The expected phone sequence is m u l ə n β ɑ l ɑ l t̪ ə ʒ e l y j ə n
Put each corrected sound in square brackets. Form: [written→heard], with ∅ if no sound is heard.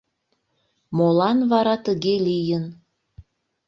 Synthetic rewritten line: m [u→o] l [ə→ɑ] n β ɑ [l→ɾ] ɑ [l→∅] t̪ ə [ʒ→ɣ] e l [y→i] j ə n